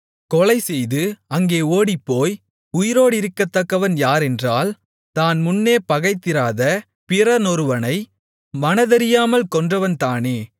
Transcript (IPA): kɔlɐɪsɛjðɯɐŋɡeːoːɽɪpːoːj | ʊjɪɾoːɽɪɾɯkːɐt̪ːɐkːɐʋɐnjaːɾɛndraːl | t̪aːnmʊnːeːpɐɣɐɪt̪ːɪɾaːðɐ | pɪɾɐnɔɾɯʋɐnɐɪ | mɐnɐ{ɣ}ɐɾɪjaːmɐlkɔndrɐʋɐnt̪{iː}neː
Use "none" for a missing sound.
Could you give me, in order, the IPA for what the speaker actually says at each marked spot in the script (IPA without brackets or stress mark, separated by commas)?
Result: ð, aː